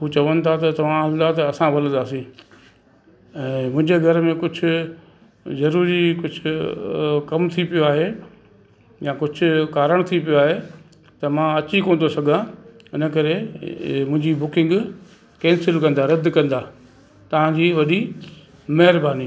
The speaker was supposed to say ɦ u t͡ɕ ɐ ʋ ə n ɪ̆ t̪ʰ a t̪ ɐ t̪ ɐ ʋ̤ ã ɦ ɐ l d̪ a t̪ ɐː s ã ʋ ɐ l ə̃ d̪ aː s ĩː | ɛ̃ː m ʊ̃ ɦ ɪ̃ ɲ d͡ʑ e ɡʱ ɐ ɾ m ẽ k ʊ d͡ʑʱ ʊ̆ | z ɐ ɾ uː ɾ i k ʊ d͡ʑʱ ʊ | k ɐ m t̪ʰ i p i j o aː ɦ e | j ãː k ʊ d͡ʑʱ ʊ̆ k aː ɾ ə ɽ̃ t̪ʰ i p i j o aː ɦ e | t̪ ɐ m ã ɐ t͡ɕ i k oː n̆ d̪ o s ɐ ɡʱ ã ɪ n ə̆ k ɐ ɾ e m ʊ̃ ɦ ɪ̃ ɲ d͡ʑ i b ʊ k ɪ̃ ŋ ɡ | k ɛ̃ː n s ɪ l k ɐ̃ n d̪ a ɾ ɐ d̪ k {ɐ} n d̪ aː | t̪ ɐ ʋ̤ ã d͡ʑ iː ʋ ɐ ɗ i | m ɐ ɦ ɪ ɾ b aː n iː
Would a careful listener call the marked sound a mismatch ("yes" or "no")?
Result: yes